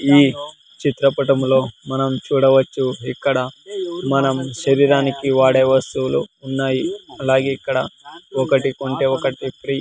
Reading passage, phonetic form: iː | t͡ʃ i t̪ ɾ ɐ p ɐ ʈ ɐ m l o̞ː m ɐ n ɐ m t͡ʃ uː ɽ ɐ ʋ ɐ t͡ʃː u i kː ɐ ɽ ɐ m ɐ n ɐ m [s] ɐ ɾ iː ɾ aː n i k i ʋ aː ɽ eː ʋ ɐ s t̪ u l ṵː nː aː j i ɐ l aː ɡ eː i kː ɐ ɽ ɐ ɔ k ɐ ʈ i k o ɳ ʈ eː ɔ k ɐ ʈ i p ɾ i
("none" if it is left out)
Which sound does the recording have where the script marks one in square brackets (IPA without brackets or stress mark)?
ʃ